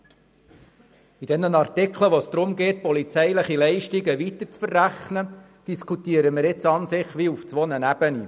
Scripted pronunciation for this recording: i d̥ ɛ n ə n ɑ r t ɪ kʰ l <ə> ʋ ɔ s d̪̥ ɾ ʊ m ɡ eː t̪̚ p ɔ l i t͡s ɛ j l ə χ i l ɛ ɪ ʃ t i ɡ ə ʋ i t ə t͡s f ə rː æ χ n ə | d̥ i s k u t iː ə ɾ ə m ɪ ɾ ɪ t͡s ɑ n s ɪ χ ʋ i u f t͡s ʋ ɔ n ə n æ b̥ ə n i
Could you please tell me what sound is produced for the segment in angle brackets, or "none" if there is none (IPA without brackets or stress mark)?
ə